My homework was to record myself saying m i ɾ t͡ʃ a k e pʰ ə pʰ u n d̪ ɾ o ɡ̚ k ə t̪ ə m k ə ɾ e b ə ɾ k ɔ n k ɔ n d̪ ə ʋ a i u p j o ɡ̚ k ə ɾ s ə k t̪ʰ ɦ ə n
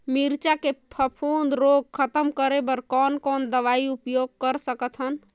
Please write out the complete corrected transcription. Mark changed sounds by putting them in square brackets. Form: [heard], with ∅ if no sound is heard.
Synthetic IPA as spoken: m i ɾ t͡ʃ a k e pʰ ə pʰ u n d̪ ɾ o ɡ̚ [kʰ] ə t̪ ə m k ə ɾ e b ə ɾ k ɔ n k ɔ n d̪ ə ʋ a i u p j o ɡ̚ k ə ɾ s ə k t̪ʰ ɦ ə n